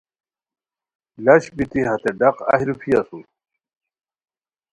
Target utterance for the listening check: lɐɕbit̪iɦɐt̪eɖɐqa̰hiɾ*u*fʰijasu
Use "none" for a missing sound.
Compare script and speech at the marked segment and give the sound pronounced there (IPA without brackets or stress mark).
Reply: u